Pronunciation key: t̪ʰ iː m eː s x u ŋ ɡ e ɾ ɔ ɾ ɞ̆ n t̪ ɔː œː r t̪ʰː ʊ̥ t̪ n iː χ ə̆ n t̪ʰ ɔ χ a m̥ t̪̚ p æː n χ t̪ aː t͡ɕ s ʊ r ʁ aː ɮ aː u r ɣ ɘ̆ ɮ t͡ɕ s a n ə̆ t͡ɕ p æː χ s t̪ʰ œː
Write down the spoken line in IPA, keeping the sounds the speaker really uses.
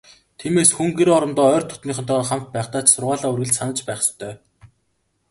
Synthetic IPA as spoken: t̪ʰ iː m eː s x u ŋ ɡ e ɾ ɔ ɾ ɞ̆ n t̪ ɔː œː r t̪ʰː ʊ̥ t̪ n iː χ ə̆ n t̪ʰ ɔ χ a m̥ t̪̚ p æː χ t̪ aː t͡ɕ s ʊ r ʁ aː ɮ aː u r ɣ ɘ̆ ɮ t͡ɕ s a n ə̆ t͡ɕ p æː χ s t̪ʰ œː